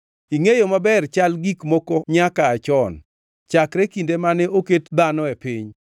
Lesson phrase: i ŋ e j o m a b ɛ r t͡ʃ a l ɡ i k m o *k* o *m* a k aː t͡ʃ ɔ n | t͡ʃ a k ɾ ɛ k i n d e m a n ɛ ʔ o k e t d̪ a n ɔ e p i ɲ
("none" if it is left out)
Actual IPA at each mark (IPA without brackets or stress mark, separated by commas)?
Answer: k, ɲ